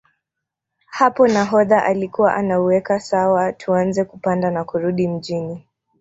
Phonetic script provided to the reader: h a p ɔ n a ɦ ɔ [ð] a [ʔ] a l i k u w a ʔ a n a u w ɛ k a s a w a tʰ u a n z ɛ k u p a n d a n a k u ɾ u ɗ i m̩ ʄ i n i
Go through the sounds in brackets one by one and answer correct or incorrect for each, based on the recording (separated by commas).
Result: correct, correct